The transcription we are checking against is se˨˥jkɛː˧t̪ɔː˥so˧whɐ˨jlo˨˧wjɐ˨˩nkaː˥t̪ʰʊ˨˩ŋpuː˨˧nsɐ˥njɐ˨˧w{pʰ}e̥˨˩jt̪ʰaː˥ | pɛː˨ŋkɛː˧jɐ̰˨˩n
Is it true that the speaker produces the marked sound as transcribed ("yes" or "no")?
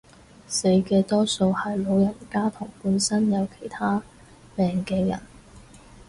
no